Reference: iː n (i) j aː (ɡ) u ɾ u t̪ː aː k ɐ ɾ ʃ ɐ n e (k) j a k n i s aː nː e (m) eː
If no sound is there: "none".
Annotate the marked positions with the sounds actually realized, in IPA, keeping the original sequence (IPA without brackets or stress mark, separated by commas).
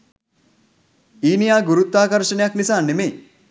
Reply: i, ɡ, none, m